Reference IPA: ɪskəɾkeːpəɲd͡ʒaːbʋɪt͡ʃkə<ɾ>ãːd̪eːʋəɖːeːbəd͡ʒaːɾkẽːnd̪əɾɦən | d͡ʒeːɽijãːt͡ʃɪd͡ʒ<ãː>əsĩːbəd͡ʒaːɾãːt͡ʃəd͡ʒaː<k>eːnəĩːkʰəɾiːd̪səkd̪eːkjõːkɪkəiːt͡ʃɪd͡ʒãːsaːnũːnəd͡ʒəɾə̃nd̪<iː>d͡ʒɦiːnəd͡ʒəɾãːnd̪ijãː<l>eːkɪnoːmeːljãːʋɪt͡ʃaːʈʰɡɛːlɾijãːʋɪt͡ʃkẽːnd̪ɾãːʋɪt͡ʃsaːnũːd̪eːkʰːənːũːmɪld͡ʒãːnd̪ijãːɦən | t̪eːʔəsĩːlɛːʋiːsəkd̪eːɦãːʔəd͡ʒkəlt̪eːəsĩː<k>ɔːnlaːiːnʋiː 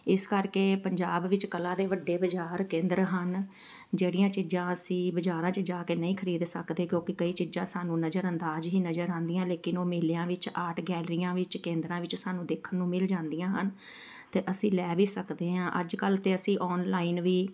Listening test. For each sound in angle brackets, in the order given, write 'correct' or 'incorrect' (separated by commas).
incorrect, correct, correct, incorrect, correct, incorrect